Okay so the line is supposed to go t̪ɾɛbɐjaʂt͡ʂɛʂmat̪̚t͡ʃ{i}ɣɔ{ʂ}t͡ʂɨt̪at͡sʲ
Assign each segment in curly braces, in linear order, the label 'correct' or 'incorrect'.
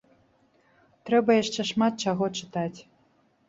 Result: incorrect: a, incorrect: none

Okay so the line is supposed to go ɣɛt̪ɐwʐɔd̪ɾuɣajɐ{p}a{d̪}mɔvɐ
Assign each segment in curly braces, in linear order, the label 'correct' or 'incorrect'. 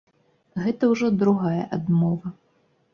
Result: incorrect: ʔ, correct

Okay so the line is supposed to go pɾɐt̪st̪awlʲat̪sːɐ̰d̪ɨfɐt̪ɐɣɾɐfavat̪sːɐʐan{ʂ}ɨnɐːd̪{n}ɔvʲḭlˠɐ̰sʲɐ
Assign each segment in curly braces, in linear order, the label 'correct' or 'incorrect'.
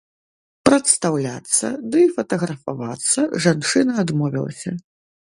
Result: incorrect: t͡ʂ, incorrect: m

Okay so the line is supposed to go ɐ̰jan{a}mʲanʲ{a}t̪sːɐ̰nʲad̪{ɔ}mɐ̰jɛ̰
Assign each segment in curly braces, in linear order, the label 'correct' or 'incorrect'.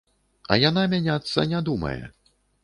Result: correct, correct, incorrect: u

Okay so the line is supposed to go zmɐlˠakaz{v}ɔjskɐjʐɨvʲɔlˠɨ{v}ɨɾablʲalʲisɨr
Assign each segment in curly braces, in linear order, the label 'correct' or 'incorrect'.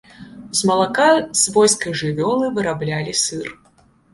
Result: correct, correct

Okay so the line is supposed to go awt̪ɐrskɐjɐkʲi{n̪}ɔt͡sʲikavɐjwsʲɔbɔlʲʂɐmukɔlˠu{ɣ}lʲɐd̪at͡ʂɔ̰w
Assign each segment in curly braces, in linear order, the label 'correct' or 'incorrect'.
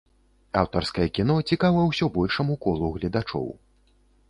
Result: correct, correct

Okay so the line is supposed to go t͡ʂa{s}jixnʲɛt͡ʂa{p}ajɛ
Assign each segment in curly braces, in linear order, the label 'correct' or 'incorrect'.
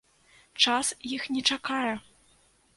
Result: correct, incorrect: k

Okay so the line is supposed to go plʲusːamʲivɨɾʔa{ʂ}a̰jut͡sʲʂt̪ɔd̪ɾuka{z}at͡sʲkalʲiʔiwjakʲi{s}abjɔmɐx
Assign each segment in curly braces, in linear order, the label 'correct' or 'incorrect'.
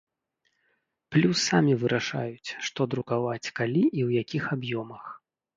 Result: correct, incorrect: v, incorrect: x

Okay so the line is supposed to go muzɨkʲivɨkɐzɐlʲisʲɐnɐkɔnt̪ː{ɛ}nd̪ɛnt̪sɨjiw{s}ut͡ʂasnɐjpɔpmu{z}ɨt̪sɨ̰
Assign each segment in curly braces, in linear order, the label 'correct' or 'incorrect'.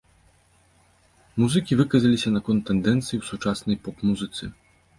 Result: correct, correct, correct

